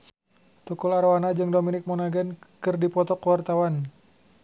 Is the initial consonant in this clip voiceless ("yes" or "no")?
yes